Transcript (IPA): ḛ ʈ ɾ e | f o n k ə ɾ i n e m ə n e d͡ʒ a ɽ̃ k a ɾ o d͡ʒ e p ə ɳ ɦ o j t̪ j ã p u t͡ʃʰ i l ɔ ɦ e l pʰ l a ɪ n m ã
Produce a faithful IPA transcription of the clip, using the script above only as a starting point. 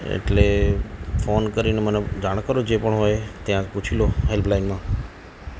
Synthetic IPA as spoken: ḛ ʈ l e | f o n k ə ɾ i n e m ə n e d͡ʒ a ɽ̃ k ə ɾ o d͡ʒ e p ə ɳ ɦ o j t̪ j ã p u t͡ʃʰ i l o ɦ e l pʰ l a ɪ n m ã

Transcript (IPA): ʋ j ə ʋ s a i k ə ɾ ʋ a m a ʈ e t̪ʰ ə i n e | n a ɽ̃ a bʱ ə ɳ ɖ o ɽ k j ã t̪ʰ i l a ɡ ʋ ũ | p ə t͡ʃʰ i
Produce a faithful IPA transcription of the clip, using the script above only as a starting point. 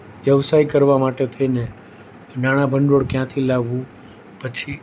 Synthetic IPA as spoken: ʋ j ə ʋ s a i k ə ɾ ʋ a m a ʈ e t̪ʰ ə i n e | n a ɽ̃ a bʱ ə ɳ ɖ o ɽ k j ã t̪ʰ i l a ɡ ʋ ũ | p ə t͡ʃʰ i

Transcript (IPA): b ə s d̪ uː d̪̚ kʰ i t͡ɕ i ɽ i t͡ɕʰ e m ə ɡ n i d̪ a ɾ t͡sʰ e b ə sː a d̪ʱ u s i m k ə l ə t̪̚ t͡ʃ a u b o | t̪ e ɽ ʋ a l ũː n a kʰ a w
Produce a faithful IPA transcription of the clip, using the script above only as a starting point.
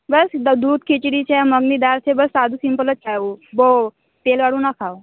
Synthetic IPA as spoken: b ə s d̪ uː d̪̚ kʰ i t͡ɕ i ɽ i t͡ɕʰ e m ə ɡ n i d̪ a ɾ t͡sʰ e b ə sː a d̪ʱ u s i m p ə l ə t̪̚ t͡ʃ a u b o | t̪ e l ʋ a ɽ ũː n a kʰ a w

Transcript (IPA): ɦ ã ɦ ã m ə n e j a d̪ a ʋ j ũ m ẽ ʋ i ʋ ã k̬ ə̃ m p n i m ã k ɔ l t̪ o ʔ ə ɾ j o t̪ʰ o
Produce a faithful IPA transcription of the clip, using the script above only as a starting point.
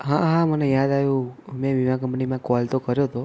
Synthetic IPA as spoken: ɦ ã ɦ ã m ə n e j a d̪ a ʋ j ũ m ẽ ʋ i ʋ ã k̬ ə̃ m p n i m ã k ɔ l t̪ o k ə ɾ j o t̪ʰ o

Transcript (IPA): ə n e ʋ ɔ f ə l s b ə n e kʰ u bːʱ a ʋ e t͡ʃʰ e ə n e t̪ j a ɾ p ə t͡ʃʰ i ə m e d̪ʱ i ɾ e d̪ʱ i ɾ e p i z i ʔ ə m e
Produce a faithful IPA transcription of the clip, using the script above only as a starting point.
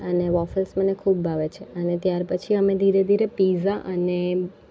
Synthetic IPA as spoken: ə n e ʋ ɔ f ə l s m ə n e kʰ u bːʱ a ʋ e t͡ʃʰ e ə n e t̪ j a ɾ p ə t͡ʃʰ i ə m e d̪ʱ i ɾ e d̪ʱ i ɾ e p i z a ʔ ə n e

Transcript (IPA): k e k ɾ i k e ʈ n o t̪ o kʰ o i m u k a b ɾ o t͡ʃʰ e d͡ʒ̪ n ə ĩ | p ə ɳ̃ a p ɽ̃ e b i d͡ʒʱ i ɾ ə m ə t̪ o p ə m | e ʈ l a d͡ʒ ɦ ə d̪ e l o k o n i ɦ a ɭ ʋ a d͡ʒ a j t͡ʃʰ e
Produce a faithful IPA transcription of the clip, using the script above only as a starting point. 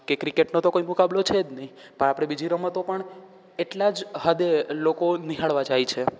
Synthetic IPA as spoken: k e k ɾ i k e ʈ n o t̪ o k o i m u k a b l o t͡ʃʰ e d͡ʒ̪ n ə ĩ | p ə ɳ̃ a p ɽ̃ e b i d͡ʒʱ i ɾ ə m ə t̪ o p ə ɳ | e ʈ l a d͡ʒ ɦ ə d̪ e l o k o n i ɦ a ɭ ʋ a d͡ʒ a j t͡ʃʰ e

